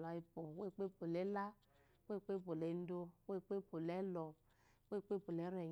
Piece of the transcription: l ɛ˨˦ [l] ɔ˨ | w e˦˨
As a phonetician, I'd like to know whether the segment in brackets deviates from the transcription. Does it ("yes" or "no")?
no